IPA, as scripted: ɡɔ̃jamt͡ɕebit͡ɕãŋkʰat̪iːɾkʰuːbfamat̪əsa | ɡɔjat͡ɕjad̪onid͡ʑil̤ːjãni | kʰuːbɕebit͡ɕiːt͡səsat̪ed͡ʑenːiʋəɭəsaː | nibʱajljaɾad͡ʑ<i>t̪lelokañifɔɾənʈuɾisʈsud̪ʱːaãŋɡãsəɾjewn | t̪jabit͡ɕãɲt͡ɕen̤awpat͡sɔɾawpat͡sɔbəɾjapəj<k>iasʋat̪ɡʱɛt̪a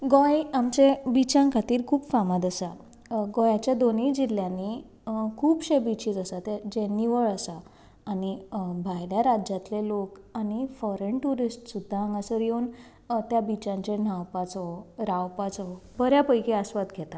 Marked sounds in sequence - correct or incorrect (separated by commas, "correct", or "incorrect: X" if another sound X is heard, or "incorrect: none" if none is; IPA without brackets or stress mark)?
incorrect: a, correct